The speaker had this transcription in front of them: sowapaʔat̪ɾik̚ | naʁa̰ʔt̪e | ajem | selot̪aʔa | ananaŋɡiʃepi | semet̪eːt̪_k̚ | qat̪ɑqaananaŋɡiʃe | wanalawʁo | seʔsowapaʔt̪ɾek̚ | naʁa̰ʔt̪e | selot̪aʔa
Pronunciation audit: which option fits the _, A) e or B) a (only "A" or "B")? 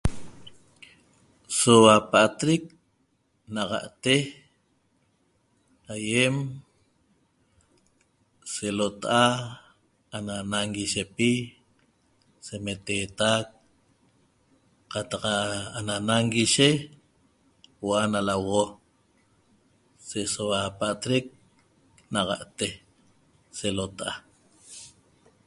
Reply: B